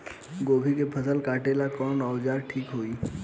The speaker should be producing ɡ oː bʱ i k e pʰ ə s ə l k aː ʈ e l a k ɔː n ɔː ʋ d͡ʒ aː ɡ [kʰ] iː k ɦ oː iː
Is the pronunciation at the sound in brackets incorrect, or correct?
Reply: incorrect